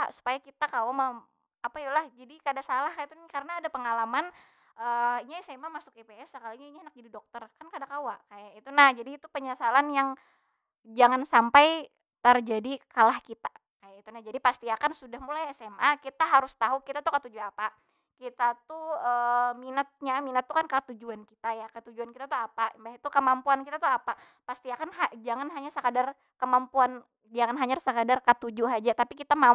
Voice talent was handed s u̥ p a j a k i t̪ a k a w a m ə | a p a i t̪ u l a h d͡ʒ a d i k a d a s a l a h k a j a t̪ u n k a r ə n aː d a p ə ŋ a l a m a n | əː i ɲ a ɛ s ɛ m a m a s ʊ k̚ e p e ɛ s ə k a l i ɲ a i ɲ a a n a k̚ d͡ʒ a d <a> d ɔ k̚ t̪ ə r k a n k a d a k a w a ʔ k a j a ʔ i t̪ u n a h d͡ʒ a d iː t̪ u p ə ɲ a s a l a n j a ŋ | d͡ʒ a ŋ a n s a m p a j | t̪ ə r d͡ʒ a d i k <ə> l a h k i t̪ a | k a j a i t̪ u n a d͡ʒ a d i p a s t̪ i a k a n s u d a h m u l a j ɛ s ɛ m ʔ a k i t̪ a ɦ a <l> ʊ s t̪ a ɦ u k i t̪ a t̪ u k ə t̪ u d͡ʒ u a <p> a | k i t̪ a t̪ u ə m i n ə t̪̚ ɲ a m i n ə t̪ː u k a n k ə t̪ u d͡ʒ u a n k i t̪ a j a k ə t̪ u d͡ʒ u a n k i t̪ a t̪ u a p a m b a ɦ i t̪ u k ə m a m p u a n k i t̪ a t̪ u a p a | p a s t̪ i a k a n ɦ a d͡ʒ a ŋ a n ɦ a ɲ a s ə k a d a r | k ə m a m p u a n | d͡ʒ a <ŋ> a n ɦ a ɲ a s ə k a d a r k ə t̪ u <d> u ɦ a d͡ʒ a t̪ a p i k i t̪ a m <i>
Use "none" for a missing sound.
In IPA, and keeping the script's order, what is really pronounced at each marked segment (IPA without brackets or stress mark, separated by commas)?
i, a, ɾ, p, ŋ, d͡ʒ, a